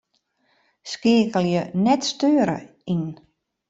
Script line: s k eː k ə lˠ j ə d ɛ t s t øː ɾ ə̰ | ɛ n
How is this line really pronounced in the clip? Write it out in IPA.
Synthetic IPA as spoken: s k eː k ə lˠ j ə n ɛ t s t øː ɾ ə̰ | i n